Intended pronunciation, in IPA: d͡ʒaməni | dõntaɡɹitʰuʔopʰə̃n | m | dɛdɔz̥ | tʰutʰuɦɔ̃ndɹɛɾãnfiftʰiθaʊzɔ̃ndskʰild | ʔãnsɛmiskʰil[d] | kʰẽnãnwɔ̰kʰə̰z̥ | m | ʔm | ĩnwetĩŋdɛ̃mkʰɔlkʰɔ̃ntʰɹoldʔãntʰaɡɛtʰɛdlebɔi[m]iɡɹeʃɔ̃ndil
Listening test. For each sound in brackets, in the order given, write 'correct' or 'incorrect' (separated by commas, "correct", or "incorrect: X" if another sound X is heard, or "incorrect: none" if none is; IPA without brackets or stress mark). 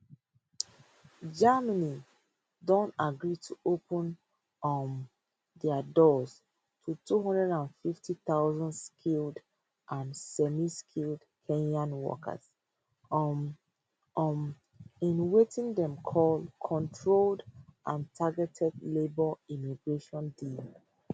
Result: correct, correct